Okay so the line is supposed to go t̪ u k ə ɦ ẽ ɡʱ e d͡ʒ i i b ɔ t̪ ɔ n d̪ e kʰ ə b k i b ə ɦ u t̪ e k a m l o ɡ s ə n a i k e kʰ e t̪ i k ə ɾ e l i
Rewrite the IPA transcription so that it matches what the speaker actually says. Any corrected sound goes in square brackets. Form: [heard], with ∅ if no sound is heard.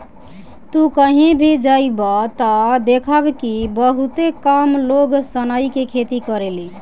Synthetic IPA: t̪ u k ə ɦ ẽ [bʱ] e d͡ʒ [a] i b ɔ t̪ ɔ [∅] d̪ e kʰ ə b k i b ə ɦ u t̪ e k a m l o ɡ s ə n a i k e kʰ e t̪ i k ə ɾ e l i